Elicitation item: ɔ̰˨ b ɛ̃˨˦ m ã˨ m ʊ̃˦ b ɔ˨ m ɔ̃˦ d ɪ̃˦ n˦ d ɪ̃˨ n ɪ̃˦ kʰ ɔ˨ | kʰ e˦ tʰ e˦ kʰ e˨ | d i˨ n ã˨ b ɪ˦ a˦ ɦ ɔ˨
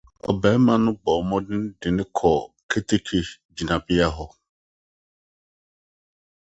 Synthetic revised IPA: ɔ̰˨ b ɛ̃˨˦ m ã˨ n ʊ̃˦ b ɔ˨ m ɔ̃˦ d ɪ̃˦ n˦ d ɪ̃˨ n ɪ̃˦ kʰ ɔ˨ | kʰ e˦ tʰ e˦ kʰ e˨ | d͡ʑ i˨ n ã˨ b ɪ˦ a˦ ɦ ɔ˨